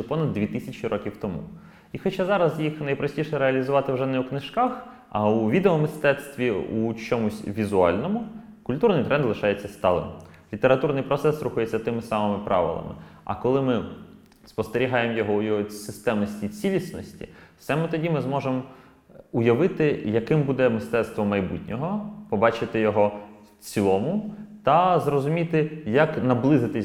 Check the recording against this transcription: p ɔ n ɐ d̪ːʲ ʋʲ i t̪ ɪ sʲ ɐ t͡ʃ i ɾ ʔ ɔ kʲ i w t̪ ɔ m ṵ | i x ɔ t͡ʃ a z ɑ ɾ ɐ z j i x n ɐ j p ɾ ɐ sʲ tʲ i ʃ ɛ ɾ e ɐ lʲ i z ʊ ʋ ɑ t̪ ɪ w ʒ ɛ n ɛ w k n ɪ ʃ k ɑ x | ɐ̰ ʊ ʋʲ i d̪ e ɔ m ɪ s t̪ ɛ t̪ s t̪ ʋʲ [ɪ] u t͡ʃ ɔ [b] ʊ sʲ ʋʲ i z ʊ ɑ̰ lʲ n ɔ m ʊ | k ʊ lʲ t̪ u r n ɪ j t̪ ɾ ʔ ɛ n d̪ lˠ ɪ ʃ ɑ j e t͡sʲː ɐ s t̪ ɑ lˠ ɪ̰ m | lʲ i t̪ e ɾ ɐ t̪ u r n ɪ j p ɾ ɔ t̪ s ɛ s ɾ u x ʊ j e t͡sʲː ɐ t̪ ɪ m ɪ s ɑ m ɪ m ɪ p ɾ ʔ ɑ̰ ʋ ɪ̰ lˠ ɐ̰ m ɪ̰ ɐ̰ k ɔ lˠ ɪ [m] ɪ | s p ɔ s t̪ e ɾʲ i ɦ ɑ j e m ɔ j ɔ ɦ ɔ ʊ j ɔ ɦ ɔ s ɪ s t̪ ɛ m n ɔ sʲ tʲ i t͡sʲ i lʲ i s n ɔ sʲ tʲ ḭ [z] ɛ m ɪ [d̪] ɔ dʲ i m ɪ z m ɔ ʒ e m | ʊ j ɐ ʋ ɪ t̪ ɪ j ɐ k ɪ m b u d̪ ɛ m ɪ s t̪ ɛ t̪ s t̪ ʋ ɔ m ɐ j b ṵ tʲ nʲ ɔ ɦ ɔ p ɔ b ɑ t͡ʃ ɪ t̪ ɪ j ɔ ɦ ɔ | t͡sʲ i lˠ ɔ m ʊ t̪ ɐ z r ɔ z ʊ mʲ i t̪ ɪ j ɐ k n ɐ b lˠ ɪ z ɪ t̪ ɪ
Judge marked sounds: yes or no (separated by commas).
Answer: no, no, yes, no, no